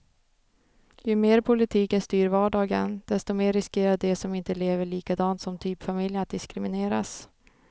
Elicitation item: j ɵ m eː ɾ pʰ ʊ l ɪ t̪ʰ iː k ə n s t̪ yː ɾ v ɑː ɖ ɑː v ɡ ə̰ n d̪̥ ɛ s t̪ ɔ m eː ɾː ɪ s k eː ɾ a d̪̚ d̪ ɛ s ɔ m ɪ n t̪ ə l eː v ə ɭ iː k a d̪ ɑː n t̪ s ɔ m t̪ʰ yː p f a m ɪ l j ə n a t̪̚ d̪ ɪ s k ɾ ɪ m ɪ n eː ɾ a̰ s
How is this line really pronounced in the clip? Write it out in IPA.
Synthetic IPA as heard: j ɵ m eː ɾ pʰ ʊ l ɪ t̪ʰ iː k ə n s t̪ yː ɾ v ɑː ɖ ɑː ɡ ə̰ n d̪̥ ɛ s t̪ ɔ m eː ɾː ɪ s k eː ɾ a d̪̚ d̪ ɛ s ɔ m ɪ n t̪ ə l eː v ə ɭ iː k a d̪ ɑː n t̪ s ɔ m t̪ʰ yː p f a m ɪ l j ə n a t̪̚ d̪ ɪ s k ɾ ɪ m ɪ n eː ɾ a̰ s